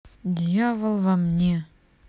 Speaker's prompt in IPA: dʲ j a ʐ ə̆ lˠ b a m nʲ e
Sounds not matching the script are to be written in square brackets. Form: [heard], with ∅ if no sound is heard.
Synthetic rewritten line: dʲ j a [v] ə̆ lˠ [v] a m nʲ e